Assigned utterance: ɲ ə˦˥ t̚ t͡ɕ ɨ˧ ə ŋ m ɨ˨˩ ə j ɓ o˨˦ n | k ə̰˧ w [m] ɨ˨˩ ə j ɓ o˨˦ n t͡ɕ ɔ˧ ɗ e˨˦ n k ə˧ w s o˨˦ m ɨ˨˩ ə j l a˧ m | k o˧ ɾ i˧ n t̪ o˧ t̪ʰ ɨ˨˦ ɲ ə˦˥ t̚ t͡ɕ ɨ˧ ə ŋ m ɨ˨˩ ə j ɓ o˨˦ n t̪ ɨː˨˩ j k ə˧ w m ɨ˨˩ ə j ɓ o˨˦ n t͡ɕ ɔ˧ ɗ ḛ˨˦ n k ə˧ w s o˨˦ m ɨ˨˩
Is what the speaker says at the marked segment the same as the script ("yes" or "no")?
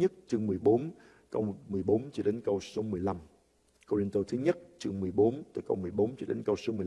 yes